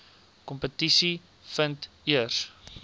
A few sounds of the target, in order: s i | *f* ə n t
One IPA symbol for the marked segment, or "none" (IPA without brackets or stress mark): f